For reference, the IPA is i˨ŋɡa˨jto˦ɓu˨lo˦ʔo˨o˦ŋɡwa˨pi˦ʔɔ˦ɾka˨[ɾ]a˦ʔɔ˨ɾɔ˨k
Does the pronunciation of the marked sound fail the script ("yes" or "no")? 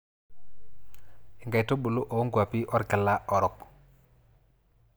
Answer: yes